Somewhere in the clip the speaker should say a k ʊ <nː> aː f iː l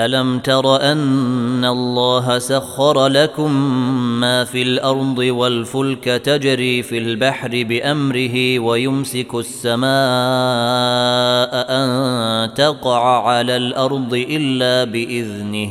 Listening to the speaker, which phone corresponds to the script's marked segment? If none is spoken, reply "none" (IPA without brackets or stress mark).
mː